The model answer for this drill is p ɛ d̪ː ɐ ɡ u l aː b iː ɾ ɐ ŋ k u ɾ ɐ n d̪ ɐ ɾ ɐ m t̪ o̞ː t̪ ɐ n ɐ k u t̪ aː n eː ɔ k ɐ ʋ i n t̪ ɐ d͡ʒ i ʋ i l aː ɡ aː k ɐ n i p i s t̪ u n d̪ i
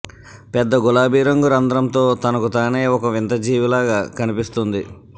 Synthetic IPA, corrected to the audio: p ɛ d̪ː ɐ ɡ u l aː b iː ɾ ɐ ŋ ɡ u ɾ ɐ n d̪ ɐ ɾ ɐ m t̪ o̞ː t̪ ɐ n ɐ k u t̪ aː n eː ɔ k ɐ ʋ i n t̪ ɐ d͡ʒ iː ʋ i l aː ɡ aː k ɐ n i p i s t̪ u n d̪ i

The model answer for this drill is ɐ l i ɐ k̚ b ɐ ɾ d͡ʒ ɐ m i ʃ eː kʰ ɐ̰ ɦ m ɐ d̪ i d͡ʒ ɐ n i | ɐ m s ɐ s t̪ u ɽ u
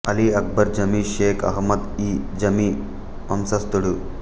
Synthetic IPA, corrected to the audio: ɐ l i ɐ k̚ b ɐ ɾ d͡ʒ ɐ m i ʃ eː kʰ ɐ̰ ɦ m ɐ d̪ i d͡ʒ ɐ m i | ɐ m s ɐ s t̪ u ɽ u

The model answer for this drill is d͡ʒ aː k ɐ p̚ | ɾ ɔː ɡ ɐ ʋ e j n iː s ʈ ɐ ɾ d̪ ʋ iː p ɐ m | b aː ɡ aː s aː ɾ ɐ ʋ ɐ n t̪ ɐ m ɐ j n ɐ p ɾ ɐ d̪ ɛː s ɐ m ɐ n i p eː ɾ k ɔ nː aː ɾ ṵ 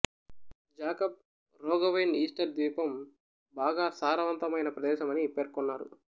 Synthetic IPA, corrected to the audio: d͡ʒ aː k ɐ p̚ | ɾ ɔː ɡ ɐ ʋ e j n iː s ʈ ɐ ɾ d̪ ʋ iː p ɐ m | b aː ɡ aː s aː ɾ ɐ ʋ ɐ n t̪ ɐ m ɐ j n ɐ p ɾ ɐ d̪ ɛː ʃ ɐ m ɐ n i p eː ɾ k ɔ nː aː ɾ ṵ

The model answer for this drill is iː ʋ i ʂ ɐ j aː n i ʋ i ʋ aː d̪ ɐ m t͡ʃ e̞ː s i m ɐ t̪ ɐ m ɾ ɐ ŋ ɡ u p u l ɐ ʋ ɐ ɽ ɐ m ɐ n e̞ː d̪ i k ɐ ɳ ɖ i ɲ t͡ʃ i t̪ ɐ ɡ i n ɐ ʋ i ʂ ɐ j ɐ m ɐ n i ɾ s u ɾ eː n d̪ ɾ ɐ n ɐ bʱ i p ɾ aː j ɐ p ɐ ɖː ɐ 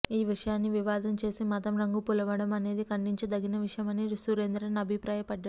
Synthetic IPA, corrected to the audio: iː ʋ i ʂ ɐ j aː nː i ʋ i ʋ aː d̪ ɐ m t͡ʃ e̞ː s i m ɐ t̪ ɐ m ɾ ɐ ŋ ɡ u p u l ɐ ʋ ɐ ɽ ɐ m ɐ n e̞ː d̪ i k ɐ ɳ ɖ i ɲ t͡ʃ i d̪ ɐ ɡ i n ɐ ʋ i ʂ ɐ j ɐ m ɐ n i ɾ s u ɾ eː n d̪ ɾ ɐ n ɐ bʱ i p ɾ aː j ɐ p ɐ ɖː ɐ

